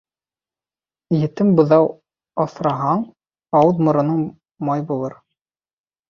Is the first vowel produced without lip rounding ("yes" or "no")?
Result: yes